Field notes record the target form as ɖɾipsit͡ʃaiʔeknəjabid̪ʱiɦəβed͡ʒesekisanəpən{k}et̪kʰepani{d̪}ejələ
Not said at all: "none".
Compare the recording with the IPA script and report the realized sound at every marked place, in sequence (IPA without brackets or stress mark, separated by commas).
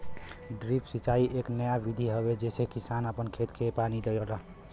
kʰ, d̪